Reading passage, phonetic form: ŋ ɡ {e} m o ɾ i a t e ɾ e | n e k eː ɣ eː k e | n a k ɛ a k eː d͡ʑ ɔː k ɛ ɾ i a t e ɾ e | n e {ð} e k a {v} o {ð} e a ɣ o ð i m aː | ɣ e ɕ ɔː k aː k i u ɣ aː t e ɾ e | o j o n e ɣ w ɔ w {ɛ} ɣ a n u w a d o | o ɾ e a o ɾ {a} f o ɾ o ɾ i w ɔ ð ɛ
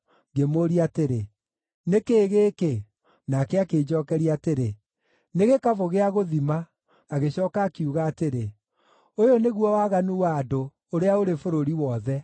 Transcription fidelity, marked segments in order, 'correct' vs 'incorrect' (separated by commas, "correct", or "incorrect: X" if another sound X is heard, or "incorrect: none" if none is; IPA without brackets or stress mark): correct, incorrect: ɣ, correct, incorrect: ɣ, incorrect: a, incorrect: e